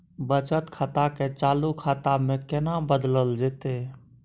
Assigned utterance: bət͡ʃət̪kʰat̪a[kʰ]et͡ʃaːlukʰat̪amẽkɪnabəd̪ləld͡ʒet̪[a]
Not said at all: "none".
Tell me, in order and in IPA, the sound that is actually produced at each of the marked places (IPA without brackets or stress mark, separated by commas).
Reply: k, e